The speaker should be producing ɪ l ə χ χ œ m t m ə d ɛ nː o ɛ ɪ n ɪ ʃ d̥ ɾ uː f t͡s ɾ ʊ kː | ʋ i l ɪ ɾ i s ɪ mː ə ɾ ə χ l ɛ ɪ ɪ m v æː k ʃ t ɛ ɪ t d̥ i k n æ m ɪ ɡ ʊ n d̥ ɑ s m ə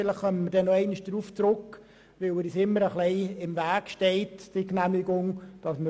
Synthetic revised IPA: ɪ l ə χ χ œ m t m ə d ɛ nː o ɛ ɪ n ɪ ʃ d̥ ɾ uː f t͡s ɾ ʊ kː | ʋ ɪ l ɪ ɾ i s ɪ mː ə ɾ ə χ l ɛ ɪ ɪ m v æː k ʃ t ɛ ɪ t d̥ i k n æ m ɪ ɡ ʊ ŋ d̥ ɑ s m ə